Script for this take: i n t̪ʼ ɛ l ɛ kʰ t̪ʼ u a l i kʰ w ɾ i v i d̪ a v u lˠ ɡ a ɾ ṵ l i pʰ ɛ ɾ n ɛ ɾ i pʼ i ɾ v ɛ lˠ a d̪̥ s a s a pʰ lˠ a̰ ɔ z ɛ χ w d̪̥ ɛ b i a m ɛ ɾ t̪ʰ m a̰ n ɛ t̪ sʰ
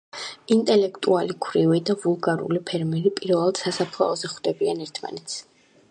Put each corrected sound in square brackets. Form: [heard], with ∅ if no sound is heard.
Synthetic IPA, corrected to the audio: i n t̪ʼ ɛ l ɛ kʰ t̪ʼ u a l i kʰ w ɾ i v i d̪ a v u lˠ ɡ a ɾ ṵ l i pʰ ɛ ɾ [m] ɛ ɾ i pʼ i ɾ v ɛ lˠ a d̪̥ s a s a pʰ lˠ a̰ ɔ z ɛ χ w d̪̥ ɛ b i a [n] ɛ ɾ t̪ʰ m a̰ n ɛ t̪ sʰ